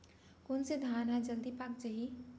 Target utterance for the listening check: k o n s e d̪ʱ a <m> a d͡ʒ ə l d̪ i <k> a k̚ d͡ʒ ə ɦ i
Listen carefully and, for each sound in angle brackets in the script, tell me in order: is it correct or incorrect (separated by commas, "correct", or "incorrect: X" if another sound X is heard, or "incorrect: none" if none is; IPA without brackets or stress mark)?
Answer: incorrect: n, incorrect: p